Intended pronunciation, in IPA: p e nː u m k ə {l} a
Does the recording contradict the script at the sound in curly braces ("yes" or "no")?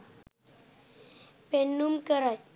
yes